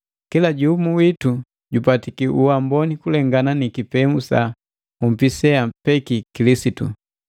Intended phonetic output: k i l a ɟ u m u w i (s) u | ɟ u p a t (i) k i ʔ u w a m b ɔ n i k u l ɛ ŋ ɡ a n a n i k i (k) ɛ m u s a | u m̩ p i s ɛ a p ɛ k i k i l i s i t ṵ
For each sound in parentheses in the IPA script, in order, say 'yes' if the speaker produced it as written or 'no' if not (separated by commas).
no, yes, no